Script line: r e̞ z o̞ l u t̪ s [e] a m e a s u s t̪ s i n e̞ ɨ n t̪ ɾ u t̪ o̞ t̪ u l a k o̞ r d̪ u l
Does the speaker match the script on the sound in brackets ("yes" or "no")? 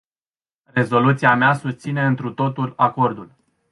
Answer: no